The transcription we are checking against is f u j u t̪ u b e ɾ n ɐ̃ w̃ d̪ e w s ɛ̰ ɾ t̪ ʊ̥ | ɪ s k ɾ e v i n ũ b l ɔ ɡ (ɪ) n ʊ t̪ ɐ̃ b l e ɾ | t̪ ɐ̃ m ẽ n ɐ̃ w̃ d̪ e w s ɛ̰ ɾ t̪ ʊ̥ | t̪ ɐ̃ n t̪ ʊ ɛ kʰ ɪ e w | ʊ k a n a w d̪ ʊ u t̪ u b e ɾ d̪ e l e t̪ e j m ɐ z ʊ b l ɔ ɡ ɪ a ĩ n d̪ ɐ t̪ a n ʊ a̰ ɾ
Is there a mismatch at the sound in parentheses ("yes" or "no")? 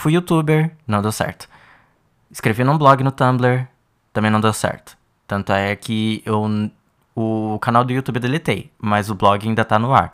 no